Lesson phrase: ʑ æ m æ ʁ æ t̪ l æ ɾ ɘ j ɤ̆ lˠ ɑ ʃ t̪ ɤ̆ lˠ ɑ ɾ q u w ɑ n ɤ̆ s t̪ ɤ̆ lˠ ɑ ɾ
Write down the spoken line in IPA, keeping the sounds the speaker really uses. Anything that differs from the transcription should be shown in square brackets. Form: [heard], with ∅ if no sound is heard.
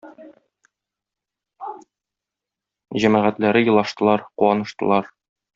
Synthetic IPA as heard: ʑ æ m æ ʁ æ t̪ l æ ɾ ɘ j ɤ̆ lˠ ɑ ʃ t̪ ɤ̆ lˠ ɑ ɾ q u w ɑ n ɤ̆ [ʃ] t̪ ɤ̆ lˠ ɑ ɾ